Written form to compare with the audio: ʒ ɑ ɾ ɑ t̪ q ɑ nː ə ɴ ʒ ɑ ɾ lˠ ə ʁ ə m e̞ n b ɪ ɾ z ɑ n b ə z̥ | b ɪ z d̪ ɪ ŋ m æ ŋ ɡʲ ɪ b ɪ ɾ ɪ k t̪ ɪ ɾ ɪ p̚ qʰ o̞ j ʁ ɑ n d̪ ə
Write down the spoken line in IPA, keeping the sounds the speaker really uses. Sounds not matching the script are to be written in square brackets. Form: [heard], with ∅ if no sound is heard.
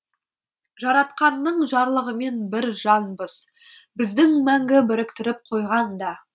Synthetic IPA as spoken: ʒ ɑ ɾ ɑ t̪ q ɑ nː ə ɴ ʒ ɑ ɾ lˠ ə ʁ ə m e̞ n b ɪ ɾ [ʒ] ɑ n b ə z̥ | b ɪ z d̪ ɪ ŋ m æ ŋ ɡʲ ɪ b ɪ ɾ ɪ k t̪ ɪ ɾ ɪ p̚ qʰ o̞ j ʁ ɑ n d̪ [ɑ]